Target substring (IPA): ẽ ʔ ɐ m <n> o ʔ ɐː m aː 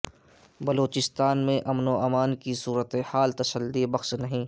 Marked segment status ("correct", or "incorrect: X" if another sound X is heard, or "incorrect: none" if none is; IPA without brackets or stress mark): correct